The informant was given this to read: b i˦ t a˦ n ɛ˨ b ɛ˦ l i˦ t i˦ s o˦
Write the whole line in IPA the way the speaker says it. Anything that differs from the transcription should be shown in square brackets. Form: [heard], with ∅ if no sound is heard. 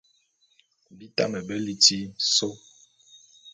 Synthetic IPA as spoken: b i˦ t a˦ [m] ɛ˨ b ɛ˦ l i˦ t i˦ s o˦

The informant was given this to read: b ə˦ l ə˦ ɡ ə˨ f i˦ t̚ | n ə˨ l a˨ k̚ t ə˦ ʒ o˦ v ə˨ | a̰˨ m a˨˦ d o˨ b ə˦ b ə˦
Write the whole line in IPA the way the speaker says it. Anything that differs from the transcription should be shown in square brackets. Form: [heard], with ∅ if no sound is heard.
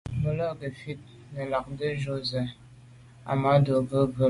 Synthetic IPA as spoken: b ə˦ l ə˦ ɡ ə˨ f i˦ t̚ | n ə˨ l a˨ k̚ [d] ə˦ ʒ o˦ [z] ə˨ | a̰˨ m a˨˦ d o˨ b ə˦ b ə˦

